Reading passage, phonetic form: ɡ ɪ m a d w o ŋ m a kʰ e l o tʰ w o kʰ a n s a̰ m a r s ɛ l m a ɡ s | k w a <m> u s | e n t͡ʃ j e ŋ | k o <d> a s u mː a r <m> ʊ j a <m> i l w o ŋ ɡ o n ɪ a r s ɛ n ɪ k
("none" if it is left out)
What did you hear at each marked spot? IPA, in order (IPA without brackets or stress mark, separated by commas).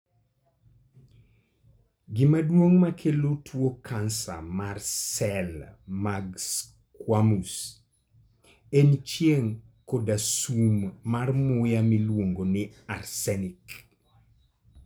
m, d, m, m